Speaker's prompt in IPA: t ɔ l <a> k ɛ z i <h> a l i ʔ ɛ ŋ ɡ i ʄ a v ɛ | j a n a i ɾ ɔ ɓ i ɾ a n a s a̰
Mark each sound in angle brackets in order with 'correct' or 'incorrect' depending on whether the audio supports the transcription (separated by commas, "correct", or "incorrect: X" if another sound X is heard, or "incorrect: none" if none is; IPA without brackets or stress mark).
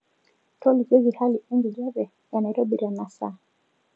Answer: incorrect: i, correct